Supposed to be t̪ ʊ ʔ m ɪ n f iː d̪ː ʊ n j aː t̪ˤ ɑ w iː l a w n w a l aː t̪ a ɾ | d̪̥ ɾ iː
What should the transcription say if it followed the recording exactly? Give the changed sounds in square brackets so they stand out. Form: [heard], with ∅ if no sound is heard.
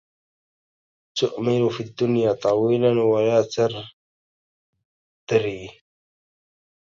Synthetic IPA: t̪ ʊ ʔ m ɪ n f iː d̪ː ʊ n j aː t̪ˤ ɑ w iː l a [∅] n w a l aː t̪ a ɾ | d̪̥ ɾ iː